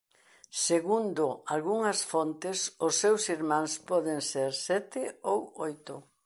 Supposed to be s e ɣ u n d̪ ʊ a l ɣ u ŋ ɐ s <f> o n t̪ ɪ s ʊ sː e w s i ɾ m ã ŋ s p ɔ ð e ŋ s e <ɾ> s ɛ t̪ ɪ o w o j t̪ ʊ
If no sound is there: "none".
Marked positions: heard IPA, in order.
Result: f, ɾ

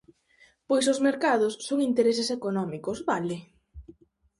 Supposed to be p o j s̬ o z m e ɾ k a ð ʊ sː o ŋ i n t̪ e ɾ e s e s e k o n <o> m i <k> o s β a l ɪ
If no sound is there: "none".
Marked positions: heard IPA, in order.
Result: ɔ, k

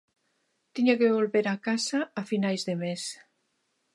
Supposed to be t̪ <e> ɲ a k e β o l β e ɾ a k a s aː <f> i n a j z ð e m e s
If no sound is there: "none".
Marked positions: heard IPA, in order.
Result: i, f

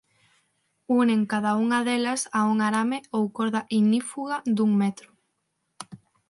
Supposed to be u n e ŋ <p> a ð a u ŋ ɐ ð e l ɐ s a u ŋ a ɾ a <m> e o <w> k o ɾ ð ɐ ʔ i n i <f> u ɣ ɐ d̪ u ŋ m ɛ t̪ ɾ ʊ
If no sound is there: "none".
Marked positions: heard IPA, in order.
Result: k, m, w, f

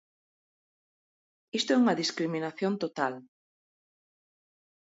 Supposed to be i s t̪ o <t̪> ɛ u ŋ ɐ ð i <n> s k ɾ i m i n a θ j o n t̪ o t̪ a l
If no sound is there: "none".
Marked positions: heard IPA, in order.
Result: none, none

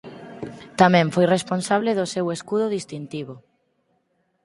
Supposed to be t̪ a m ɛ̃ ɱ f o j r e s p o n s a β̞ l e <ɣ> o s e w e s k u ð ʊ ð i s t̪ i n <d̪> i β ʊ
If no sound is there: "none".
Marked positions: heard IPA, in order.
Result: ð, t̪

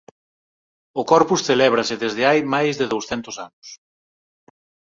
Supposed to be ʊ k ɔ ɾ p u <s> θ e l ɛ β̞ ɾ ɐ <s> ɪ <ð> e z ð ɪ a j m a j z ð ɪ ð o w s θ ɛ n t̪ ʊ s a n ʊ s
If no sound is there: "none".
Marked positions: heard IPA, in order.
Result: s, s, ð

